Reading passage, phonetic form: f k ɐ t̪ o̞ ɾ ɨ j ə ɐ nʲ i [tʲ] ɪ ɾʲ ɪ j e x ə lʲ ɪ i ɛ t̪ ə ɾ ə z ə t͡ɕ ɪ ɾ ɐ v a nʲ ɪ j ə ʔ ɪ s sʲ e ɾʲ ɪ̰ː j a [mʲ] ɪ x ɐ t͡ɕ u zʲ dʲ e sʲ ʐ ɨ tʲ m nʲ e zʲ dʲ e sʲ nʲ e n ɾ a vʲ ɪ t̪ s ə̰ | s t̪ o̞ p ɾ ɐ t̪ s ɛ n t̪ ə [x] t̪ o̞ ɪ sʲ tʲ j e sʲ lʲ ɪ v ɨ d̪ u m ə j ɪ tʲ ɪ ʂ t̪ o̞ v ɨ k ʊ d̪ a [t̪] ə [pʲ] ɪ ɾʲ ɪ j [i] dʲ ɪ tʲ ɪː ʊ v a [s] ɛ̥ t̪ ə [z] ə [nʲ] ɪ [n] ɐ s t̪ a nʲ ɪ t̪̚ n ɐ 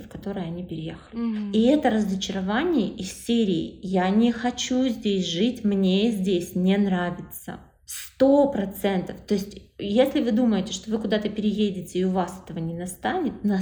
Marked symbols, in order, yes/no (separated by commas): no, no, no, yes, yes, no, yes, no, yes, yes